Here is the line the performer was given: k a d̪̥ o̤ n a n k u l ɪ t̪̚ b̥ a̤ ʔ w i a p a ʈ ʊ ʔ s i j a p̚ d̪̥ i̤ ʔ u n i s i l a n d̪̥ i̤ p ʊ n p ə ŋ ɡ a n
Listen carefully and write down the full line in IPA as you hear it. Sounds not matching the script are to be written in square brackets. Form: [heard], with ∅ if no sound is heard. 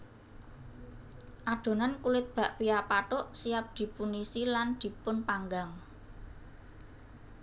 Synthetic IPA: [ʔ] a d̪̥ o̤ n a n k u l ɪ t̪̚ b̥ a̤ ʔ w i a p a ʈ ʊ ʔ s i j a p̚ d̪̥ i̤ [p] u n i s i l a n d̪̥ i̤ p ʊ n p [a] ŋ ɡ a [ŋ]